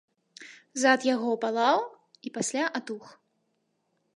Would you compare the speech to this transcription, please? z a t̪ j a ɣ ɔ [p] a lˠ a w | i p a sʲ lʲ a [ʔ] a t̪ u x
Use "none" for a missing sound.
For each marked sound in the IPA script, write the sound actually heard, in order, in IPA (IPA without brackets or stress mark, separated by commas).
p, ʔ